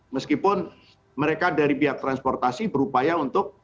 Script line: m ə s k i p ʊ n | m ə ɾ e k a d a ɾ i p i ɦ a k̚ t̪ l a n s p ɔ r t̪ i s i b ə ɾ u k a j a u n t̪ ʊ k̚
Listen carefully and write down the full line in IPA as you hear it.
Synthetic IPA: m ə s k i p ʊ n | m ə ɾ e k a d a ɾ i p i ɦ a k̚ t̪ ɾ a n s p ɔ r t̪ a s i b ə ɾ u p a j a u n t̪ ʊ k̚